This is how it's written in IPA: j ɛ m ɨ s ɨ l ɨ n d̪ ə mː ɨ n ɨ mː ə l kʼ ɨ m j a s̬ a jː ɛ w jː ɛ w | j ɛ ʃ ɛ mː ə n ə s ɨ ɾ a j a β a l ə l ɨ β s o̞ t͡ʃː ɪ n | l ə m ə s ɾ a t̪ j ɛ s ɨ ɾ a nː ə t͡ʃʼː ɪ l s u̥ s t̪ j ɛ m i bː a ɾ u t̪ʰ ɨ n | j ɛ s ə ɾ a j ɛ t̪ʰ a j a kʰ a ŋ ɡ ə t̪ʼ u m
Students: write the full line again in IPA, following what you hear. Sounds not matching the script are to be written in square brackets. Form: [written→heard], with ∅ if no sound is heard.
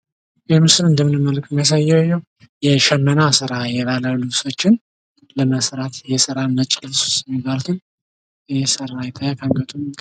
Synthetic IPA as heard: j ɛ m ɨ s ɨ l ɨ n d̪ ə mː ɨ n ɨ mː ə l kʼ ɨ m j a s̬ a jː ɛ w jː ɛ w | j ɛ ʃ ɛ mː ə n [ə→a] s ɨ ɾ a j [a→ɛ] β a l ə l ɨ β s o̞ t͡ʃː ɪ n | l ə m ə s ɾ a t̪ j ɛ s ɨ ɾ a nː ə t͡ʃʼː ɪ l s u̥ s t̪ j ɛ m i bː a [ɾ→l] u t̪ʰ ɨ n | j ɛ s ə ɾ a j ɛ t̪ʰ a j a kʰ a ŋ ɡ ə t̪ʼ u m